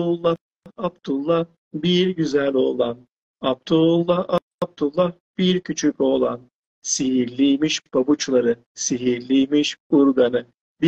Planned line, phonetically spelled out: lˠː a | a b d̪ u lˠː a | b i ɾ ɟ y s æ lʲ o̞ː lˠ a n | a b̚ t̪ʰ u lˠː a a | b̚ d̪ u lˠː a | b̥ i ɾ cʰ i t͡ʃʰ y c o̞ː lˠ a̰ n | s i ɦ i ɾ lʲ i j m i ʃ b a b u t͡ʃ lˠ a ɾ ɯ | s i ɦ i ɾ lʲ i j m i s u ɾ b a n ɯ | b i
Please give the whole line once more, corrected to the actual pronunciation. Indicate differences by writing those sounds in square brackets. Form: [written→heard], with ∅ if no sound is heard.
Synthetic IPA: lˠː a | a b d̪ u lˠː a | b i ɾ ɟ y [s→z] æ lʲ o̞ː lˠ a n | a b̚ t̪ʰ u lˠː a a | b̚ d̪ u lˠː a | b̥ i ɾ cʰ [i→y] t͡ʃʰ y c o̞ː lˠ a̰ n | s i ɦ i ɾ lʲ i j m i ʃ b a b u t͡ʃ lˠ a ɾ ɯ | s i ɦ i ɾ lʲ i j m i [s→ʃ] u ɾ [b→ɡ] a n ɯ | b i